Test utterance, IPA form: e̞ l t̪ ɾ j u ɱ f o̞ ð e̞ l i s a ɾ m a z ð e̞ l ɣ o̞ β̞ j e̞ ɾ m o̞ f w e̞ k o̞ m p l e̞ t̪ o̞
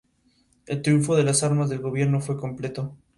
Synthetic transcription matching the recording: e̞ l t̪ ɾ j u ɱ f o̞ ð e̞ l a s a ɾ m a z ð e̞ l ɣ o̞ β̞ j e̞ ɾ n o̞ f w e̞ k o̞ m p l e̞ t̪ o̞